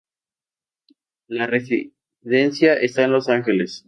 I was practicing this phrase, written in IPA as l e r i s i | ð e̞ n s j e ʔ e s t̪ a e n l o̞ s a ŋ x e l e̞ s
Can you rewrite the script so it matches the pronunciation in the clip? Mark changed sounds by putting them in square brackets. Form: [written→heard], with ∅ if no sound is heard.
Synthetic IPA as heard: l [e→a] r [i→e] s i | ð e̞ n s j [e→a] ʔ e s t̪ a e n l o̞ s a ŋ x e l e̞ s